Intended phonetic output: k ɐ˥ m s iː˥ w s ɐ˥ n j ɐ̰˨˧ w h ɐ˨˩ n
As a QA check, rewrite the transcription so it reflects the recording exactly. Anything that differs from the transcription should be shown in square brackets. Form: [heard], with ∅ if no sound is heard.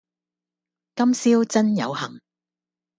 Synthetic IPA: k ɐ˥ m s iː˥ w [t͡s] ɐ˥ n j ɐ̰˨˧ w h ɐ˨˩ [ŋ]